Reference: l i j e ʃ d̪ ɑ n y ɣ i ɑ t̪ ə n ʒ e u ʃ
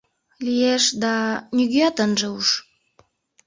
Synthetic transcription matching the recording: l i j e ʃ d̪ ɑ n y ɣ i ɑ t̪ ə n ʒ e u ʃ